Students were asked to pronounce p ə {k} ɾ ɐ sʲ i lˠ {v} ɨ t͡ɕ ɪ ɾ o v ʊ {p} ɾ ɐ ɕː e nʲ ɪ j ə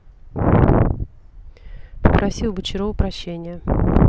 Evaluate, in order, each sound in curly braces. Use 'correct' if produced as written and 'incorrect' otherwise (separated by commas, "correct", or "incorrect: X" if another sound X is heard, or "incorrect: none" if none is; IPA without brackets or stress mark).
incorrect: p, incorrect: b, correct